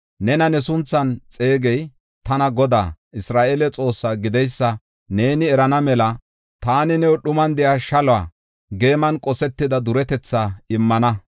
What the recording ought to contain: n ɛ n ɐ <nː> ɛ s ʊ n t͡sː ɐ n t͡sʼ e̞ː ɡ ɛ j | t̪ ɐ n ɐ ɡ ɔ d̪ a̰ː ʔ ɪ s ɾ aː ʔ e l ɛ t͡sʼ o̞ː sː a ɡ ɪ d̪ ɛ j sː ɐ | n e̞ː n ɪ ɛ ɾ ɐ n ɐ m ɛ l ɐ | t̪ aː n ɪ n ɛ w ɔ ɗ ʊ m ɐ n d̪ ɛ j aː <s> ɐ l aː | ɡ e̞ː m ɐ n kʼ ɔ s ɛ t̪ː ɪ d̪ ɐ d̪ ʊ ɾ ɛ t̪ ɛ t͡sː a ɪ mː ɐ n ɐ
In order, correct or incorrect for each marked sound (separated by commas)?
incorrect, incorrect